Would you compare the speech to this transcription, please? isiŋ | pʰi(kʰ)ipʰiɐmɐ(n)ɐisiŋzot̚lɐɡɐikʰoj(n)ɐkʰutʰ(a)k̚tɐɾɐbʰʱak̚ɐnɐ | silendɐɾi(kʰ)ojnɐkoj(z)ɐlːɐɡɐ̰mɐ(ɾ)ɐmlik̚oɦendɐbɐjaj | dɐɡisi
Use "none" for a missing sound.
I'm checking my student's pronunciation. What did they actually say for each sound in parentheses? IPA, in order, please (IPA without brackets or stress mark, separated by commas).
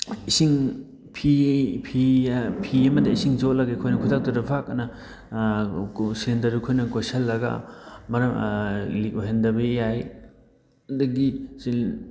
pʰ, d, n, a, kʰ, s, ɾ